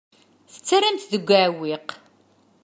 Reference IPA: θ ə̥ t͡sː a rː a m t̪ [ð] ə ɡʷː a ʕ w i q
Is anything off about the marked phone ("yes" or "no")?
no